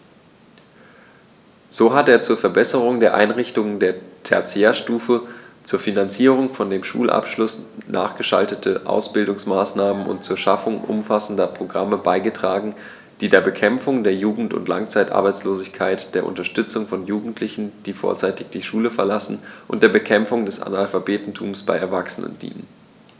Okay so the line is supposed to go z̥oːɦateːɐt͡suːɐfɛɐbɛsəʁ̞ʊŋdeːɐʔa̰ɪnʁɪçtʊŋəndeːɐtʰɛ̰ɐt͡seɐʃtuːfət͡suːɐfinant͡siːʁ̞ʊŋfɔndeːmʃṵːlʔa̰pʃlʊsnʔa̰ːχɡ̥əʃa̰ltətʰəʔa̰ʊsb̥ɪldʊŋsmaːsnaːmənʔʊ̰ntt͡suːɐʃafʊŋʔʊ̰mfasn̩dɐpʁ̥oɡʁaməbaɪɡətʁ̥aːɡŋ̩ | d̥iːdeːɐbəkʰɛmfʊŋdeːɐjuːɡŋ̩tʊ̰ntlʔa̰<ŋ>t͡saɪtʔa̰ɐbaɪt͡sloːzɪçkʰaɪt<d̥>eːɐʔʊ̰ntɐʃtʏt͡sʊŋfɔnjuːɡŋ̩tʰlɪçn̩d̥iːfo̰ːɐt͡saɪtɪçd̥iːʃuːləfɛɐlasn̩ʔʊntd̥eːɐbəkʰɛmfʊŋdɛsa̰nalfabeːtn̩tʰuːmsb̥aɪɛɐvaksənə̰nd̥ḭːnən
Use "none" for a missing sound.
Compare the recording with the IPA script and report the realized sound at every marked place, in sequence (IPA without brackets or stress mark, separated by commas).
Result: ŋ, d̥